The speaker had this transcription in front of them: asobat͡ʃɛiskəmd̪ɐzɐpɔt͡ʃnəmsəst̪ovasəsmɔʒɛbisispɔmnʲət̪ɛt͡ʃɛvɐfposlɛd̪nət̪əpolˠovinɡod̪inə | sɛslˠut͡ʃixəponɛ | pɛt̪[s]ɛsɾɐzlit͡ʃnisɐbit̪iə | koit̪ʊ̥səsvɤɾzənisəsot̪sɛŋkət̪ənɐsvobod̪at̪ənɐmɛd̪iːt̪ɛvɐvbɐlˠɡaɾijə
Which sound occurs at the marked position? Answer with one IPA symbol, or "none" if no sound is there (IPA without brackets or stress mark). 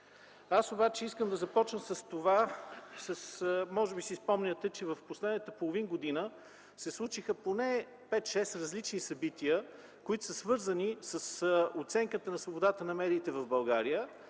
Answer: ʃ